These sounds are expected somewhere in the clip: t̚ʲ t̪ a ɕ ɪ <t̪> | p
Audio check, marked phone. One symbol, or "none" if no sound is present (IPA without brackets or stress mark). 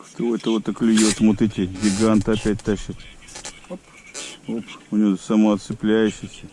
t̪